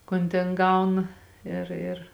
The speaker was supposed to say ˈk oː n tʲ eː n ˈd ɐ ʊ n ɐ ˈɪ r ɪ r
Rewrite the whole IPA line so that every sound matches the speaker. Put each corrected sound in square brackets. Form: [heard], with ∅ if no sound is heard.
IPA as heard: ˈk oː n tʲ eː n [ˈɡ] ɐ ʊ n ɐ ˈɪ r ɪ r